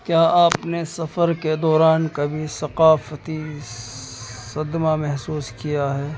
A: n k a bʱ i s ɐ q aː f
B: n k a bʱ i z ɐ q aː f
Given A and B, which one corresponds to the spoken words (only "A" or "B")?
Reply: A